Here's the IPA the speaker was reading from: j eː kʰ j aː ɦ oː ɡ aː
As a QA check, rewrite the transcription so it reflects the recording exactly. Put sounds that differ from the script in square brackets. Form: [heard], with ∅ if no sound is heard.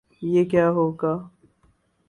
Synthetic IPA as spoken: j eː [k] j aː ɦ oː ɡ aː